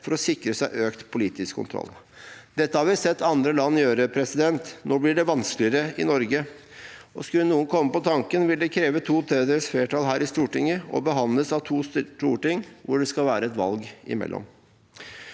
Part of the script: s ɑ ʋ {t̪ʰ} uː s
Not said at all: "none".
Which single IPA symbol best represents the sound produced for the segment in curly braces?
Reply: t̪ʰ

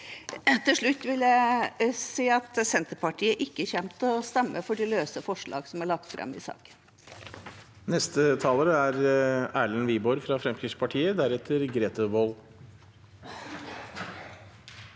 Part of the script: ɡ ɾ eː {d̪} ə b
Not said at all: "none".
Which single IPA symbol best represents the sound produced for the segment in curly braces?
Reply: t̪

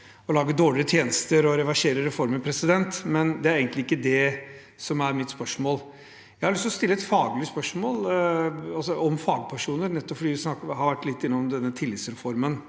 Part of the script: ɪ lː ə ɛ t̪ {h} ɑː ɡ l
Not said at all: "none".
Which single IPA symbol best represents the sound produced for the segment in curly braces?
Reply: f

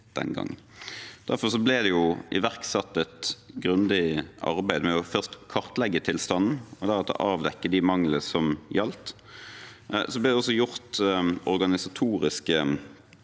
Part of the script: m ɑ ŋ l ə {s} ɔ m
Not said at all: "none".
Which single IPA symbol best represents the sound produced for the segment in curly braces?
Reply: s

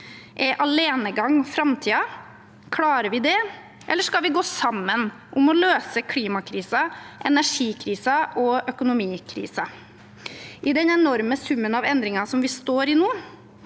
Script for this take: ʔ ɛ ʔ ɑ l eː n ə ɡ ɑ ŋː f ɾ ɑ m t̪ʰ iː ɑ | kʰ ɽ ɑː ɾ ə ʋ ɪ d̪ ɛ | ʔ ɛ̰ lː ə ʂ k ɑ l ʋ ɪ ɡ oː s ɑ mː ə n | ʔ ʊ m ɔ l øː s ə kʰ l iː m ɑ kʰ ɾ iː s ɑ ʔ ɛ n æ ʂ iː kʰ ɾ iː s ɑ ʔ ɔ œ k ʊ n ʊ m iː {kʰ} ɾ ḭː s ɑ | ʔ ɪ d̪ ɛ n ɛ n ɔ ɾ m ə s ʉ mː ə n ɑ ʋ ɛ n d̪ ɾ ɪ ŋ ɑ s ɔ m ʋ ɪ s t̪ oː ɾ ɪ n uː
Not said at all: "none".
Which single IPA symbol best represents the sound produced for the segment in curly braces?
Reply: kʰ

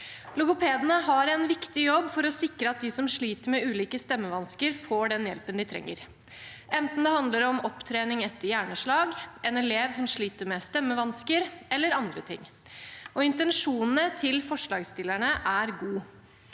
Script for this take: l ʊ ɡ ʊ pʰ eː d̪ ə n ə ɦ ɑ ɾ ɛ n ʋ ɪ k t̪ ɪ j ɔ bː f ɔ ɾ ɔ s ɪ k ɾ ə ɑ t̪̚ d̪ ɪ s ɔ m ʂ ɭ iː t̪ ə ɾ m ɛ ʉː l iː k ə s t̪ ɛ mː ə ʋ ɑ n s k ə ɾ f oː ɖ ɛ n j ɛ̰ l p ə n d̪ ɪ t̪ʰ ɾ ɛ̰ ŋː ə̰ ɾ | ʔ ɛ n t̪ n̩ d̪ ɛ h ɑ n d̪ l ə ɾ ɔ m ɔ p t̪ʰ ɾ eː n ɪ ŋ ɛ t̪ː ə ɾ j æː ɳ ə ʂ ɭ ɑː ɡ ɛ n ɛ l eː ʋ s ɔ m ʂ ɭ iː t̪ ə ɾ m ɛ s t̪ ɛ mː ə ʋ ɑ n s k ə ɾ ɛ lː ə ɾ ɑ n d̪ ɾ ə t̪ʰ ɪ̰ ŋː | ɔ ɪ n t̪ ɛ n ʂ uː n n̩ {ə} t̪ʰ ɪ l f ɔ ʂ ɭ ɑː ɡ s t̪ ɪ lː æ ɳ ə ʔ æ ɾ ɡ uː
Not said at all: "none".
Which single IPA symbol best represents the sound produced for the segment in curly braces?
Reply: ə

